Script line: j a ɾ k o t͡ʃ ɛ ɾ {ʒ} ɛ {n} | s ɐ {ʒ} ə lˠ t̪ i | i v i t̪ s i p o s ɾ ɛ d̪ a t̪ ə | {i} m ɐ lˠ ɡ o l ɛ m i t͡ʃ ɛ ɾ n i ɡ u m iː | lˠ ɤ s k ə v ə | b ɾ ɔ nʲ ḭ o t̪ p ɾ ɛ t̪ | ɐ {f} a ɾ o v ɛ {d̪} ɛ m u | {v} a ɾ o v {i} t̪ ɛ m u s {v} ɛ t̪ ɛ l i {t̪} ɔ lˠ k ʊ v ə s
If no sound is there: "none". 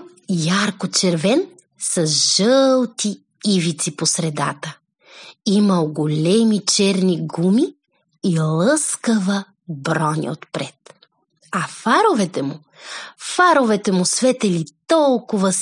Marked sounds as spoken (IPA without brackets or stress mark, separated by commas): v, n, ʒ, i, f, t̪, f, ɛ, v, t̪